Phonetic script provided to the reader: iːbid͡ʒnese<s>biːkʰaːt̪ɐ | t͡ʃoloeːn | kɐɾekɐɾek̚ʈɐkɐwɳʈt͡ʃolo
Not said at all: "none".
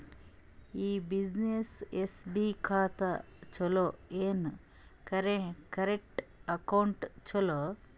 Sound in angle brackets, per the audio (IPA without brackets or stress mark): s